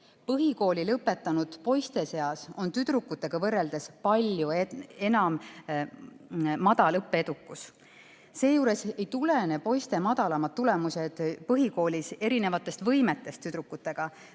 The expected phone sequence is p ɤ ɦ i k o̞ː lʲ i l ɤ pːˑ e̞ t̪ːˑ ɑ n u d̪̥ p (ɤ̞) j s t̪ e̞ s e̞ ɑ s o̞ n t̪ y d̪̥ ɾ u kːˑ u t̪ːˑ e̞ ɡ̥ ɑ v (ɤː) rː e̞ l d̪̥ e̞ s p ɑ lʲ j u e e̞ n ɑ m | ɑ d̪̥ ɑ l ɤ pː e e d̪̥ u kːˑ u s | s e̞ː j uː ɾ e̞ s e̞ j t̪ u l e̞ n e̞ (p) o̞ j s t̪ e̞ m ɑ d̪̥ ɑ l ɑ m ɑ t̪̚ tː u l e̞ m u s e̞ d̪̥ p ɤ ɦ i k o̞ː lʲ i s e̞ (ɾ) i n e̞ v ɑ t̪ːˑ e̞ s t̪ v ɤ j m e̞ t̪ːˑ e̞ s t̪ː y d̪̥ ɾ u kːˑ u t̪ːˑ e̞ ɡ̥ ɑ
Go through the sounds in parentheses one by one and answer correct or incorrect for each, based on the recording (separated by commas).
incorrect, incorrect, correct, correct